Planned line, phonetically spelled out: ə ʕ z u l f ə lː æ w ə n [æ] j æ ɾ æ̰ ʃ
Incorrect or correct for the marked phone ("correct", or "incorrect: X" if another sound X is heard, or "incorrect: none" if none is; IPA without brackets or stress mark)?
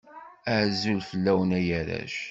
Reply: correct